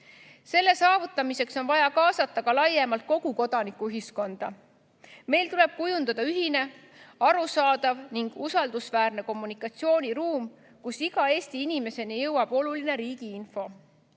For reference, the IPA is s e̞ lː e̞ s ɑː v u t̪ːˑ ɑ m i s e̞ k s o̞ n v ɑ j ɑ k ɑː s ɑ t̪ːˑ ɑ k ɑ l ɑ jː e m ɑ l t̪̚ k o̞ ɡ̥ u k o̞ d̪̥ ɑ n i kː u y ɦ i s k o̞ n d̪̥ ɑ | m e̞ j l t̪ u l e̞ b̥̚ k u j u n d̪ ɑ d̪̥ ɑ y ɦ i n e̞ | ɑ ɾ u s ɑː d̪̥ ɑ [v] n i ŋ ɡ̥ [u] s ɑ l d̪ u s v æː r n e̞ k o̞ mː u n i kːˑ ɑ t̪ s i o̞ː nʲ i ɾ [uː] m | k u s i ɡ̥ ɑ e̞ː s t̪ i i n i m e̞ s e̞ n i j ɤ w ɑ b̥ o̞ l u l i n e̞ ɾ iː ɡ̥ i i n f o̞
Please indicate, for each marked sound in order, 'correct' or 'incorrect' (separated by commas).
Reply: correct, correct, correct